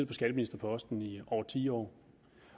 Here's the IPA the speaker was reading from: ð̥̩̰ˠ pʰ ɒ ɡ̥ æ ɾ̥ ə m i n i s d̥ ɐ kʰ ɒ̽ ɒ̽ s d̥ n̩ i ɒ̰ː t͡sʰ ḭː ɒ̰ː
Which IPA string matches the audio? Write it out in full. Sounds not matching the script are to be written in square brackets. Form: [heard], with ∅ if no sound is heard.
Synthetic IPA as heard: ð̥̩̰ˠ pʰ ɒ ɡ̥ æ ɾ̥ ə m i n i s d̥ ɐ [pʰ] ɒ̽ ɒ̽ s d̥ n̩ i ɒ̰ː t͡sʰ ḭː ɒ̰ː